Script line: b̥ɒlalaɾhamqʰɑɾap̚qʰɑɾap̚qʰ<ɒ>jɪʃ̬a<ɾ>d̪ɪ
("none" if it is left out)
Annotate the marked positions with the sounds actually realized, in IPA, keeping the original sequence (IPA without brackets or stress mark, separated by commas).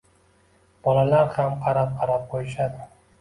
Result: o, none